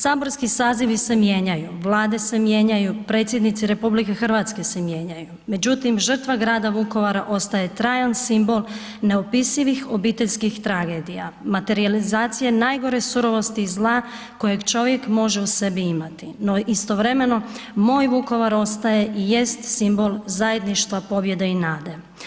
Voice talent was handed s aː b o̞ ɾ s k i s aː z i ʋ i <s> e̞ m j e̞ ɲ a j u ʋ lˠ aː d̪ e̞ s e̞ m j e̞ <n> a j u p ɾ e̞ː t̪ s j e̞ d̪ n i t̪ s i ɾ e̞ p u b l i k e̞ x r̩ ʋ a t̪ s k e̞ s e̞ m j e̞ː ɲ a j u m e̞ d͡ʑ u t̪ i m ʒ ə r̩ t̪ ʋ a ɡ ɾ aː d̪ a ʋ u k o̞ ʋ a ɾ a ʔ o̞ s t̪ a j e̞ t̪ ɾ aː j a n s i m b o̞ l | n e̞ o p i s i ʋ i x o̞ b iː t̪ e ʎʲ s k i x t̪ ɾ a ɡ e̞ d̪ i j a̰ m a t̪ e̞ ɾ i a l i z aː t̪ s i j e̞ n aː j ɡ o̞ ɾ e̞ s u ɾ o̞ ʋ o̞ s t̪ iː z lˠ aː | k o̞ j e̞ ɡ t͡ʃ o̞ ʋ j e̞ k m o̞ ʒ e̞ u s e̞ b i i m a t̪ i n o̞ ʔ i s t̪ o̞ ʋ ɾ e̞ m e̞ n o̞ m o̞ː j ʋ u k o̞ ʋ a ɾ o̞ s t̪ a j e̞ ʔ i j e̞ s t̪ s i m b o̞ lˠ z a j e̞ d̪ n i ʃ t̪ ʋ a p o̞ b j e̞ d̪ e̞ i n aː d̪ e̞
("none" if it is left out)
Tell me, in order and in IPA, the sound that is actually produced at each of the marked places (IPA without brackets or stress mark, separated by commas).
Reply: s, ɲ